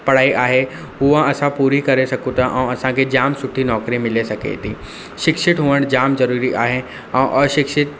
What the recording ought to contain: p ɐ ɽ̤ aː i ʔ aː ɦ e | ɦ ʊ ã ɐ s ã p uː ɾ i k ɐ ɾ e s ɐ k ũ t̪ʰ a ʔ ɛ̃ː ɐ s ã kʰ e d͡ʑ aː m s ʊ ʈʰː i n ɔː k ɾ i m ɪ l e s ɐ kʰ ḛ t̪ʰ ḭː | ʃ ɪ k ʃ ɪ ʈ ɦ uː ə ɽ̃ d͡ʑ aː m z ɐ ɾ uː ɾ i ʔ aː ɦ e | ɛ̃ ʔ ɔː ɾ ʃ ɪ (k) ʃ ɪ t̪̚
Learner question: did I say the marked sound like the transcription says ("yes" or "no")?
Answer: yes